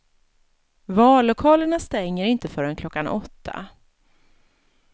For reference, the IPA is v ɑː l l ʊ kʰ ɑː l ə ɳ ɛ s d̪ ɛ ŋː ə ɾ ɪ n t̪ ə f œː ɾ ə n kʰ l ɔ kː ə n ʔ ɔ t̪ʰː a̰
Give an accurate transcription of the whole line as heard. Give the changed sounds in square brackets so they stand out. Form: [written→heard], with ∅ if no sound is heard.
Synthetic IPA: v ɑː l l ʊ kʰ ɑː l ə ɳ [ɛ→a] s [d̪→t̪] ɛ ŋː ə ɾ ɪ n t̪ ə f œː ɾ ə n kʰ l ɔ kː [ə→a] n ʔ ɔ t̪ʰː a̰